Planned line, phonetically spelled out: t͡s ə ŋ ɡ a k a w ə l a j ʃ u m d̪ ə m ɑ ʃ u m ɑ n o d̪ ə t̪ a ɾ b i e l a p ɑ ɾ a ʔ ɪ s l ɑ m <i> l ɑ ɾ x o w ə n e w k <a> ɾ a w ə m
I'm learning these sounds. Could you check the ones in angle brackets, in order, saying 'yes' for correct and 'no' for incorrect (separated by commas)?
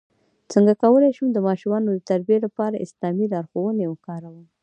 yes, no